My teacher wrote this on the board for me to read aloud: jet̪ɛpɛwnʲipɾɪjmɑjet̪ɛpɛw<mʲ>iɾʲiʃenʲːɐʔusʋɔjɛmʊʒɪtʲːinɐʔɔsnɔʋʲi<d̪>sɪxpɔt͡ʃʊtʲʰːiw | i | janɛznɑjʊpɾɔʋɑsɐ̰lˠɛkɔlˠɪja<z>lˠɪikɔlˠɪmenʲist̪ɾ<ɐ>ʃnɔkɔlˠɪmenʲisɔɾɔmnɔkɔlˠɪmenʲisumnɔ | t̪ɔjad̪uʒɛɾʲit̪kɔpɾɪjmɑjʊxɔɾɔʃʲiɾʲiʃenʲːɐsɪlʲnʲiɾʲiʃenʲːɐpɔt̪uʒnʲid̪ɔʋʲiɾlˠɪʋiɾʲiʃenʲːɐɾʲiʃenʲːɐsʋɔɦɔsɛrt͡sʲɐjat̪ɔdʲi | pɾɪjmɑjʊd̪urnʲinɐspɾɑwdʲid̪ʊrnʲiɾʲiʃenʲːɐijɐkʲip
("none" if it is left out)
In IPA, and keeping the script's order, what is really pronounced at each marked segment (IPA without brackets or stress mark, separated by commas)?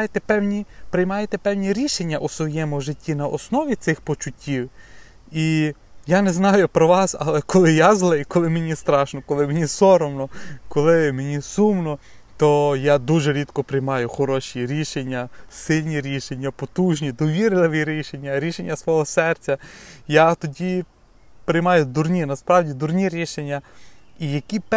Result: nʲ, t̪, z, ɑ